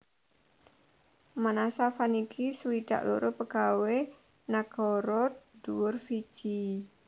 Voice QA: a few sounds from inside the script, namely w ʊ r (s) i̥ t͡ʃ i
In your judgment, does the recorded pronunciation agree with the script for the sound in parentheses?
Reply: no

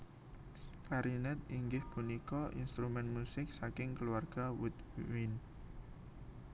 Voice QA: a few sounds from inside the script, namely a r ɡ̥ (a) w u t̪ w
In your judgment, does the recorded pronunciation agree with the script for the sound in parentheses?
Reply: yes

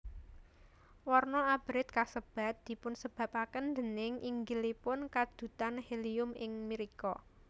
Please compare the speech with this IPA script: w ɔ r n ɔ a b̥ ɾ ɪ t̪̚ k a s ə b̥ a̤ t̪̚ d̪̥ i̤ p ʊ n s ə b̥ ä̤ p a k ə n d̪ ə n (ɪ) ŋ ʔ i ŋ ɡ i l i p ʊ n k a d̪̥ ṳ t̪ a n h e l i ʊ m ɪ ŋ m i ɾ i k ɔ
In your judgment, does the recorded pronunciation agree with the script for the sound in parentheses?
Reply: yes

